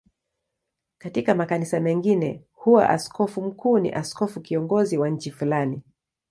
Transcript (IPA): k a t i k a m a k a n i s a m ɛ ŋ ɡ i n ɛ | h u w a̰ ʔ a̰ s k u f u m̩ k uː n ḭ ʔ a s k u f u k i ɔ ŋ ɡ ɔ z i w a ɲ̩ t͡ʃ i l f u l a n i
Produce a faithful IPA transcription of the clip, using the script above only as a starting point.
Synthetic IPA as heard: k a t i k a m a k a n i s a m ɛ ŋ ɡ i n ɛ | h u w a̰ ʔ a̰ s k ɔ f u m̩ k uː n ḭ ʔ a s k ɔ f u k i ɔ ŋ ɡ ɔ z i w a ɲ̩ t͡ʃ i f u l a n i